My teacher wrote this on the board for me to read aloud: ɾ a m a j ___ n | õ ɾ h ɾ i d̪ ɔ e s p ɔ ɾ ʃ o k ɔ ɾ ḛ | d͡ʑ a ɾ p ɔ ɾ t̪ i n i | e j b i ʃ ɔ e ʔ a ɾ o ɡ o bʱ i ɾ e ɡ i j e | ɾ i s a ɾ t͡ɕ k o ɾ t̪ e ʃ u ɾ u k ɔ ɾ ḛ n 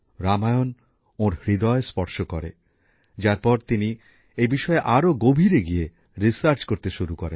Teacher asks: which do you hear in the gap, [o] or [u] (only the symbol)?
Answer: o